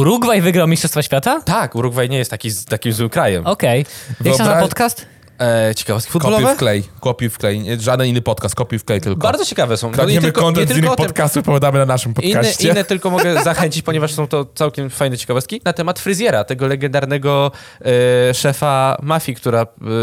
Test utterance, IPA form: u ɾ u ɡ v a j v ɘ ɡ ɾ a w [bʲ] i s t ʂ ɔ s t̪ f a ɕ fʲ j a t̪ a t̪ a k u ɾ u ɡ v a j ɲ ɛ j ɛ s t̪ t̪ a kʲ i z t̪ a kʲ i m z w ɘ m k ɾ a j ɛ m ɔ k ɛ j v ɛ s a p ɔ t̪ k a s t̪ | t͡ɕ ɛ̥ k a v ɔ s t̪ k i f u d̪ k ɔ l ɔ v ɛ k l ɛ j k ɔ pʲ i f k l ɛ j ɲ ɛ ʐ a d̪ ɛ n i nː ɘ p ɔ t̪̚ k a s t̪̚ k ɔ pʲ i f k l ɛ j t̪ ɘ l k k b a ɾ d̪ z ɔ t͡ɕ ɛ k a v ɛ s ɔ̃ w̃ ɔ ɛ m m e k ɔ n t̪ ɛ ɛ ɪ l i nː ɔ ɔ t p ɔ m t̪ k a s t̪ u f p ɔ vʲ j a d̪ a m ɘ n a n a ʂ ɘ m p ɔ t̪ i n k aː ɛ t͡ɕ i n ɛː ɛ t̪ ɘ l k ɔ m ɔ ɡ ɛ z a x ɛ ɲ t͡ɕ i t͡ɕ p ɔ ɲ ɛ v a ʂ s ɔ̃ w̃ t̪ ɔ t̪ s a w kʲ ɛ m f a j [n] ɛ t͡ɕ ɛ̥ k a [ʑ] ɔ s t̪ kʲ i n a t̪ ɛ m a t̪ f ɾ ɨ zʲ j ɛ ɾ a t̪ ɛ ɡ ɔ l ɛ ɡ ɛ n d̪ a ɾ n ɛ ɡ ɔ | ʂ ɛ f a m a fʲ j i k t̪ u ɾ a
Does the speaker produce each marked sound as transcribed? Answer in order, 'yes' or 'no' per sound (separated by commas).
no, yes, no